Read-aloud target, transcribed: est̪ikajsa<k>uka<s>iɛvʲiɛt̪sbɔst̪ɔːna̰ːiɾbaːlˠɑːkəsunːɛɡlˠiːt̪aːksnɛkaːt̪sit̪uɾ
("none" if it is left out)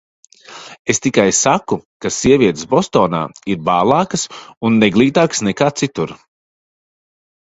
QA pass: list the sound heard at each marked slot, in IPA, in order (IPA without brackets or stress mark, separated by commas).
k, s